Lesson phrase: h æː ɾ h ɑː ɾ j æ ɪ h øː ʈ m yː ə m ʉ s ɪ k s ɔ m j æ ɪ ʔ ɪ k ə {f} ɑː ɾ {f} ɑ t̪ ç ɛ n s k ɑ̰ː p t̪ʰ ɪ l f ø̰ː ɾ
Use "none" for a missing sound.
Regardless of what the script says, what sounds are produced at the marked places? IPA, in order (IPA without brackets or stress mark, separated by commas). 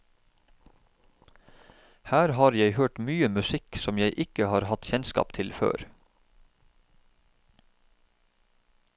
h, h